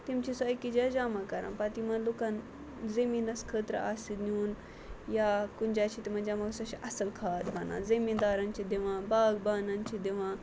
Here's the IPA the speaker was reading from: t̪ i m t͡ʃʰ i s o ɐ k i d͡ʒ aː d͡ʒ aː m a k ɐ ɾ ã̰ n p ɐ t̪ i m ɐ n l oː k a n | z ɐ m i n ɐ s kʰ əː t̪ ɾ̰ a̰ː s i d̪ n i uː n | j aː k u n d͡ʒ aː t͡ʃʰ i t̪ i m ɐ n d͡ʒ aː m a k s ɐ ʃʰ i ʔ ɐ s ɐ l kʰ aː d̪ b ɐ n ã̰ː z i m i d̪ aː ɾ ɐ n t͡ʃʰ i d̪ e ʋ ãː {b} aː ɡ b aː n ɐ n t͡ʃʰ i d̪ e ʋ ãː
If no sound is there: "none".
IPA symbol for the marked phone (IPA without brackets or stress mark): b